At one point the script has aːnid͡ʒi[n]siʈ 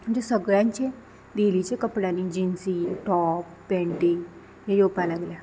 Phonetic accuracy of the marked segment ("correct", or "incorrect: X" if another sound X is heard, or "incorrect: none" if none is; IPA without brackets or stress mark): correct